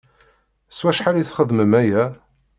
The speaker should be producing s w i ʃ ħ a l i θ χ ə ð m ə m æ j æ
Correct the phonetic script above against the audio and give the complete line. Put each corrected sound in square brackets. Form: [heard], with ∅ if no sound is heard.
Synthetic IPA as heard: s w [æ] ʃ ħ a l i θ χ ə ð m ə m æ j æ